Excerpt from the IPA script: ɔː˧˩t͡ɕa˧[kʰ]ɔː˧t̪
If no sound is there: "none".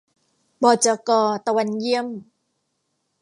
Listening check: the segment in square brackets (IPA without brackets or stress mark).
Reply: k